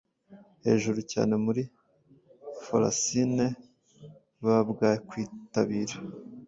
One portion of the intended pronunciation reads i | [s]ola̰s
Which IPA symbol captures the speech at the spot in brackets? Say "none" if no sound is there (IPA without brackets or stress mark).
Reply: f